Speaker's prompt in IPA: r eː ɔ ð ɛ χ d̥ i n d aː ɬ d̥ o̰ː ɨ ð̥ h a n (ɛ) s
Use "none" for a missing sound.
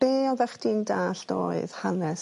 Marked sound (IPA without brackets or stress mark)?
ɛ